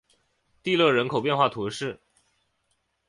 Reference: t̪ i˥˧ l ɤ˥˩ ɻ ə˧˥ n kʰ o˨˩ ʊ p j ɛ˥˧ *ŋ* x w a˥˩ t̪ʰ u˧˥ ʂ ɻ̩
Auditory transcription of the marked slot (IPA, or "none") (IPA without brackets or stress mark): n